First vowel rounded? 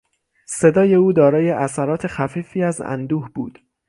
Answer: no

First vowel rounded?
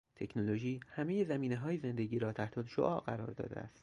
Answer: no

